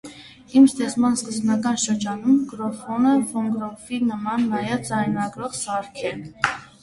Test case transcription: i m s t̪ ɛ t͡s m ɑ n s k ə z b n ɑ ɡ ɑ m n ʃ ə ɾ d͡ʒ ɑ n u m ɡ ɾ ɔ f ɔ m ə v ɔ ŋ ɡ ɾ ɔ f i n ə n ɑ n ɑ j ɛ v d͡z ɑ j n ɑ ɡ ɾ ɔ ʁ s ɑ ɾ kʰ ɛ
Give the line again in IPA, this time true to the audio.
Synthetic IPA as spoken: i m s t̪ ɛ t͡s m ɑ n s k ə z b n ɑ k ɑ n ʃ ə ɾ d͡ʒ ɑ n u m ɡ ɾ ɔ f ɔ n ə v ɔ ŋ ɡ ɾ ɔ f i n ə m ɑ nː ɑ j ɛ v d͡z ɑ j n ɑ ɡ ɾ ɔ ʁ s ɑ ɾ kʰ ɛ